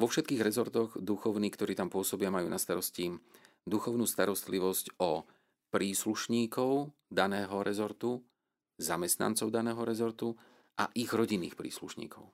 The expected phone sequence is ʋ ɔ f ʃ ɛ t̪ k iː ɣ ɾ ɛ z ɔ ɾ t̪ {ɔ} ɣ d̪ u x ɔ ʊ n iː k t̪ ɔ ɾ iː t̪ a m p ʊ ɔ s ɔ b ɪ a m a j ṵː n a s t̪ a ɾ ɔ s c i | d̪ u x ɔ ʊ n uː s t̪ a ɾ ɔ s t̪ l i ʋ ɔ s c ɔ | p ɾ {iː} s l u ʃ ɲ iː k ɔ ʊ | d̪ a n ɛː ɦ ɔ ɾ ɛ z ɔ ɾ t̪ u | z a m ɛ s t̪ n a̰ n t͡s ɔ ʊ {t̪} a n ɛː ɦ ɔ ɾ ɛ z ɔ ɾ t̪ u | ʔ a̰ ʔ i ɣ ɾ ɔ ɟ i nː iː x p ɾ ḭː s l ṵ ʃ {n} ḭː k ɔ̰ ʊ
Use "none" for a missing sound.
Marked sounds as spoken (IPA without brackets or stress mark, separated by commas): ɔ, iː, d̪, ɲ